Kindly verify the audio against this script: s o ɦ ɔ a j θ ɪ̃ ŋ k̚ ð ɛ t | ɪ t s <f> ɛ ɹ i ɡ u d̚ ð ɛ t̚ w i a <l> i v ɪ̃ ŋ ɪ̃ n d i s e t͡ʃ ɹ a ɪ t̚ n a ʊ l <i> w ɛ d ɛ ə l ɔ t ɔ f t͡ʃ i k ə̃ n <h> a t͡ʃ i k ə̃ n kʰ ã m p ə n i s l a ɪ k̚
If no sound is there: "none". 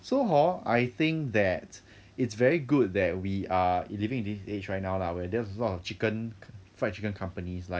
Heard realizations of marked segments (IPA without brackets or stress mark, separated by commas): v, l, a, f